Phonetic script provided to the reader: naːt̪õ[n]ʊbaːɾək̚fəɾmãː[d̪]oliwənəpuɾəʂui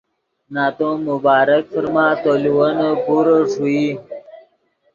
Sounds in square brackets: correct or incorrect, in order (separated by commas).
incorrect, incorrect